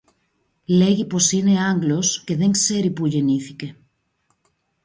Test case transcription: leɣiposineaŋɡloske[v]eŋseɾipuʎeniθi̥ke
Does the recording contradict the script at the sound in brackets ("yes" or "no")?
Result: yes